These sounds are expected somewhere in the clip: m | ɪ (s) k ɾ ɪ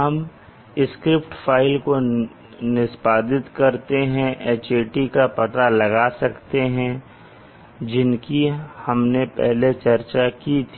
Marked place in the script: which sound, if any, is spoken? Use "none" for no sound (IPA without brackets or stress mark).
s